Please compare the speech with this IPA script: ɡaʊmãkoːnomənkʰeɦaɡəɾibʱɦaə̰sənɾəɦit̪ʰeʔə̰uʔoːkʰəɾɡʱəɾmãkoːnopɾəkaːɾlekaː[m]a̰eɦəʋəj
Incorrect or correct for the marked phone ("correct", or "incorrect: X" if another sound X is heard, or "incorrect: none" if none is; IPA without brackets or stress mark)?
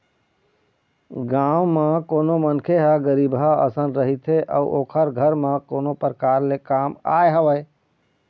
correct